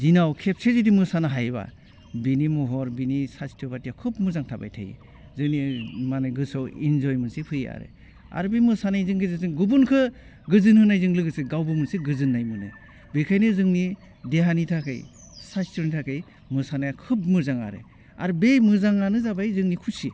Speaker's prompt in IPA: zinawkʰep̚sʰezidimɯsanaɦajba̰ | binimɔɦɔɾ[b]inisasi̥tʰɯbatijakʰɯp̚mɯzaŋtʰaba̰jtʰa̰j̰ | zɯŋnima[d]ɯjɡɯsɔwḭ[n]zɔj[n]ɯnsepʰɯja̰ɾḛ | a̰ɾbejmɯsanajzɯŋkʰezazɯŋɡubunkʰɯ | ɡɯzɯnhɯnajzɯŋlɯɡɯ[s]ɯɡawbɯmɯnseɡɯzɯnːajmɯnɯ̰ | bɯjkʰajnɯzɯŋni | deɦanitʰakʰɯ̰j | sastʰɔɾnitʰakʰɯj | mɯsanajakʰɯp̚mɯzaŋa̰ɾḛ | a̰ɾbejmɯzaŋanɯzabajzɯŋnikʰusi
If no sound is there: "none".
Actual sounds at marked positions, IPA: b, n, n, m, s

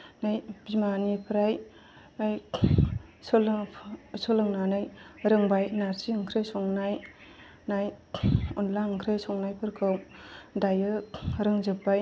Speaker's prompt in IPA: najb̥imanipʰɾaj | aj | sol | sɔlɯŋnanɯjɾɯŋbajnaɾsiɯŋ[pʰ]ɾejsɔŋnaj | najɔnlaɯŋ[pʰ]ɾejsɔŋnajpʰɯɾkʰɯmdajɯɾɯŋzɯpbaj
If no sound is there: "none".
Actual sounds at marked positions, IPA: kʰ, kʰ

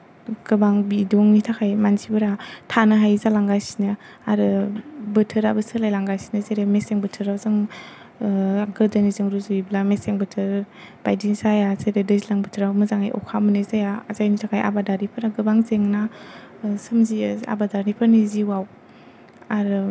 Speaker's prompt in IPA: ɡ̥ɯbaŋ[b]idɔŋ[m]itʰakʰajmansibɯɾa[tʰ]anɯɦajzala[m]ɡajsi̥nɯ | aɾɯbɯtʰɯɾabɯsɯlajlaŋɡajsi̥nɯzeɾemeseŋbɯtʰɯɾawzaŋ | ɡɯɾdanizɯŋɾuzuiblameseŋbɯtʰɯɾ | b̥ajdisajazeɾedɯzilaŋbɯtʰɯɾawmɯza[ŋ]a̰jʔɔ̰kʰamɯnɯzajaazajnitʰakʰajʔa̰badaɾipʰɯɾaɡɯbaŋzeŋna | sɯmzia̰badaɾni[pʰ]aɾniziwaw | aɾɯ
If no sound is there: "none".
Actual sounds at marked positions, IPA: b, n, tʰ, ŋ, ŋ, pʰ

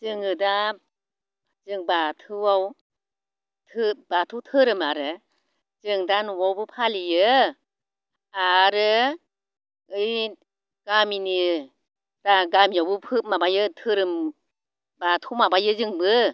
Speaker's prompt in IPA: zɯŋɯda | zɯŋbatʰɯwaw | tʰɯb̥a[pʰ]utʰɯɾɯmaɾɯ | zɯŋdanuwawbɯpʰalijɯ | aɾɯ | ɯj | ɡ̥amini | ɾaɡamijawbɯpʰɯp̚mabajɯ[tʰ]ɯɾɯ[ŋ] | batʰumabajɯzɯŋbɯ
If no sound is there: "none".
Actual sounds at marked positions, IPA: tʰ, tʰ, m

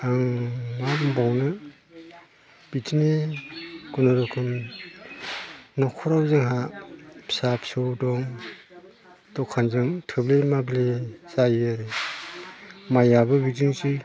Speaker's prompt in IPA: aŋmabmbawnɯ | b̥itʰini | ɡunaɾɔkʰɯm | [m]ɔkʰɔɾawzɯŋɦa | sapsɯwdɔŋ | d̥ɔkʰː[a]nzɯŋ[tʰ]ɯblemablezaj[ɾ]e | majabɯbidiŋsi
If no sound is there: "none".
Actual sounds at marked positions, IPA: n, a, tʰ, ɾ

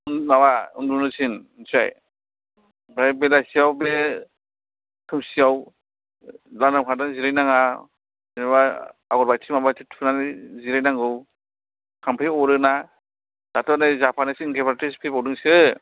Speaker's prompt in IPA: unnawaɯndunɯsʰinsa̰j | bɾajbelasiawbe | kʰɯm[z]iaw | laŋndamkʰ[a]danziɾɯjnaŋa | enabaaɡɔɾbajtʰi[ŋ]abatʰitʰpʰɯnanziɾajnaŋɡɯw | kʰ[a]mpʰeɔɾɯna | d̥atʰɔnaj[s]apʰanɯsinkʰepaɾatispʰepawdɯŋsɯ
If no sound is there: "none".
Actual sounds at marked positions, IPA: s, a, m, a, z

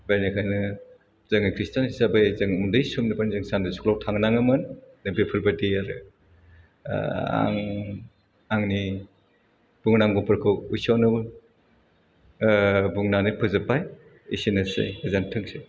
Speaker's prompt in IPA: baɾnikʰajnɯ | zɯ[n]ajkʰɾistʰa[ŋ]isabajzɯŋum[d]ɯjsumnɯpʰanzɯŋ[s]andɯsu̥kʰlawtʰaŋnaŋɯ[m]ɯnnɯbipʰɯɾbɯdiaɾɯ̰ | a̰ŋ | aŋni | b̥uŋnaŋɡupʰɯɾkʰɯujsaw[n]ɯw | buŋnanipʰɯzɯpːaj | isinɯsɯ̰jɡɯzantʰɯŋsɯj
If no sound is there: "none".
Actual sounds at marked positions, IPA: ŋ, n, d, s, m, n

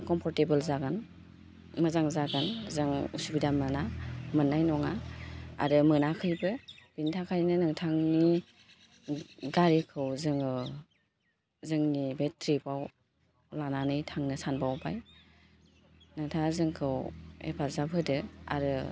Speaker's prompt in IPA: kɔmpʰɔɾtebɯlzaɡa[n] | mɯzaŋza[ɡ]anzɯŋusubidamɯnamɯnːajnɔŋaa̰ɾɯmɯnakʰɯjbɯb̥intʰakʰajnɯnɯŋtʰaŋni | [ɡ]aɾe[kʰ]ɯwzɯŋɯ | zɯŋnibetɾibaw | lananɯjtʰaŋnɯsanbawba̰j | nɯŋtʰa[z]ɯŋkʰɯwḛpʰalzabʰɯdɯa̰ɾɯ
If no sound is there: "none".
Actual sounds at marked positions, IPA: n, ɡ, ɡ, kʰ, z

